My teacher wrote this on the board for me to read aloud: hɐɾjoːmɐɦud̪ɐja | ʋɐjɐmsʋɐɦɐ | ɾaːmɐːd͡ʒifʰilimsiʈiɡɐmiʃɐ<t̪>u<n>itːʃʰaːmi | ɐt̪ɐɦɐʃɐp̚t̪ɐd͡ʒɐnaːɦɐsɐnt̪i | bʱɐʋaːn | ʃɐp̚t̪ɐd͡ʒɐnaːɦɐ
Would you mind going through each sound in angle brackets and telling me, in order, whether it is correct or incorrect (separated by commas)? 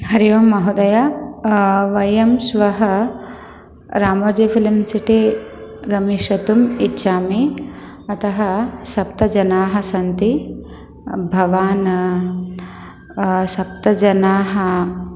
correct, incorrect